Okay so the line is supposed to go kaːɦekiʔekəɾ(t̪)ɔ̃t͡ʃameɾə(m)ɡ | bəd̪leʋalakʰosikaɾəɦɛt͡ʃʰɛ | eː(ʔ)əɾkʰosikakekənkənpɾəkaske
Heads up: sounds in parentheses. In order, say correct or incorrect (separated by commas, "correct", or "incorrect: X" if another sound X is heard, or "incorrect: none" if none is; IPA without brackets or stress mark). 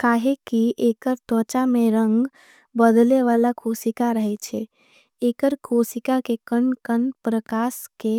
correct, incorrect: ŋ, incorrect: k